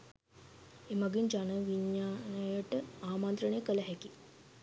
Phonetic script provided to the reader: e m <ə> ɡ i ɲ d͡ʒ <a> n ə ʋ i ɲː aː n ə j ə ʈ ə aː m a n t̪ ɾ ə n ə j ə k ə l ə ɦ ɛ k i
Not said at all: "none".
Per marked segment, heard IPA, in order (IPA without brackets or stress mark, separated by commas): a, a